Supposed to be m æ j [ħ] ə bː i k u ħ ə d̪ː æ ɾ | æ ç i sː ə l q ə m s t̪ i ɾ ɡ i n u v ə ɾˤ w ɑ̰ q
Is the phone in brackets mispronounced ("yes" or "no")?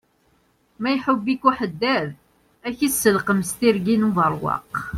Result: no